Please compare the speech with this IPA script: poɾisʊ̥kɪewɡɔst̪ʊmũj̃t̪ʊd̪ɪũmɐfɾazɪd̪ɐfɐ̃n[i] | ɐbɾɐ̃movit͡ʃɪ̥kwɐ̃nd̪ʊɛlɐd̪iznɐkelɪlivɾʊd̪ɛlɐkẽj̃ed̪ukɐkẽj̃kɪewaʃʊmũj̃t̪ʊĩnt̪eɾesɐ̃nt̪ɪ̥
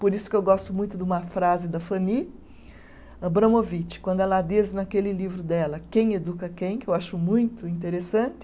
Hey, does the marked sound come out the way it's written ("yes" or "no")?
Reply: yes